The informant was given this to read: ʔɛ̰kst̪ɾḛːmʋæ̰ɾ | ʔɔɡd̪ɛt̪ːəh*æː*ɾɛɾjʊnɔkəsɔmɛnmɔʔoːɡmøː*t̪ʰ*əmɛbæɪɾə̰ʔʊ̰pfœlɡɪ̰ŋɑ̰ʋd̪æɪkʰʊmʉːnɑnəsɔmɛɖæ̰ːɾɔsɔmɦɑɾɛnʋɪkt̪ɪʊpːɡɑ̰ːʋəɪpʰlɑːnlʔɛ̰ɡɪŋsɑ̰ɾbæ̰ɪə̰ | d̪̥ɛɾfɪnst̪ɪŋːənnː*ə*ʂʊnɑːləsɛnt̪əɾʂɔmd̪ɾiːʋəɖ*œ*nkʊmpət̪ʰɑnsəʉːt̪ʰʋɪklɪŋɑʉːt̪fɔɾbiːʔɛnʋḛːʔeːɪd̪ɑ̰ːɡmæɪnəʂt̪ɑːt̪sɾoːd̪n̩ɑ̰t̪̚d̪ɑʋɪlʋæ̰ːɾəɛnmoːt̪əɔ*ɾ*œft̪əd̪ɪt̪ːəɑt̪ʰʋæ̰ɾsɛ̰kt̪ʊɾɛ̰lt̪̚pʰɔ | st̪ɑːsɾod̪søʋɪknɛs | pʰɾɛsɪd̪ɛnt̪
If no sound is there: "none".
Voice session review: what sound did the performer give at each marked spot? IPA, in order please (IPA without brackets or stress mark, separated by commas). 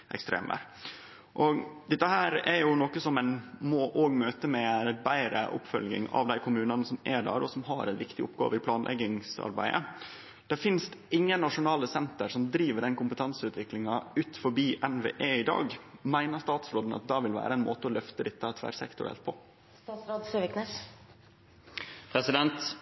æː, t̪, ɑ, ɛ, l